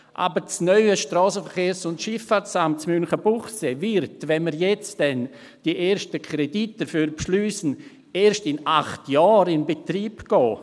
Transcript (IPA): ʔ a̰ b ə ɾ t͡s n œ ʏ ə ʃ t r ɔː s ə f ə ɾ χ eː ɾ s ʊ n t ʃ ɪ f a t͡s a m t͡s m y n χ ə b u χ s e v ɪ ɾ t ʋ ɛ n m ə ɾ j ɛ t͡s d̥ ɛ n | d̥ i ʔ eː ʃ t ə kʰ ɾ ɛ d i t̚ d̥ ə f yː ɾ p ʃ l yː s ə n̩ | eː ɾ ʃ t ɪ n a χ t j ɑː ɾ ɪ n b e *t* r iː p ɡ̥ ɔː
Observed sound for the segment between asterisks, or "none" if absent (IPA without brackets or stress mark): t